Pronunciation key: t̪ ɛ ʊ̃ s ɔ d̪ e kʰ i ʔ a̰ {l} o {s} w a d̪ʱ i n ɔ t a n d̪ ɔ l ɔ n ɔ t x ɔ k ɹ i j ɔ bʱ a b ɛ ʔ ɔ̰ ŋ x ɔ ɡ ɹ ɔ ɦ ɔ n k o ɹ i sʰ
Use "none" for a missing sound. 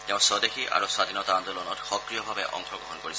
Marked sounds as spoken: ɹ, s

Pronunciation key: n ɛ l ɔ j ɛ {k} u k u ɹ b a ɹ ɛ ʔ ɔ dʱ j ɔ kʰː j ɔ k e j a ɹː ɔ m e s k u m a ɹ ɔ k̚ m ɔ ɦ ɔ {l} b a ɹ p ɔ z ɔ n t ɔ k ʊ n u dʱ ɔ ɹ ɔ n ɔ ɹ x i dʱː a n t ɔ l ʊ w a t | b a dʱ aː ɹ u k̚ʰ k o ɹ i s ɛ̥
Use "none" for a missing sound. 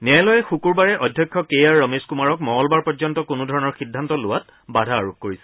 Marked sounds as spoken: x, l

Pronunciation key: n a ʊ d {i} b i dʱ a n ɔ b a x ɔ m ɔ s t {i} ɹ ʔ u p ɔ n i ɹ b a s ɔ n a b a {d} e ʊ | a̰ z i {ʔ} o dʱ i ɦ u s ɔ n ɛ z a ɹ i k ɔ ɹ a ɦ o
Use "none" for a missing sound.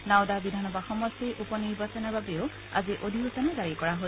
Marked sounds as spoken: a, i, b, ʔ

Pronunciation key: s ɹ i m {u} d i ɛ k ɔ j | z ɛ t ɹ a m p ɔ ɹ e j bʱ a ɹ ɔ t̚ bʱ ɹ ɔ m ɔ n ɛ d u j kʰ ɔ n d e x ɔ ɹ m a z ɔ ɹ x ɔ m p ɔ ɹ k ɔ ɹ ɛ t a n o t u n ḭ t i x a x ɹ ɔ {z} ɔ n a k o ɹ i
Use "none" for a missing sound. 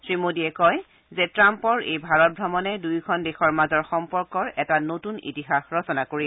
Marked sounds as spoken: o, s

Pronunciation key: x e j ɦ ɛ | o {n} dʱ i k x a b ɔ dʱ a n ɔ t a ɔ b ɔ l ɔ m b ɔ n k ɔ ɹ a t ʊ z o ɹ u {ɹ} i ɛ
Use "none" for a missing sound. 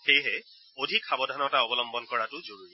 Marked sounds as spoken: none, ɹ

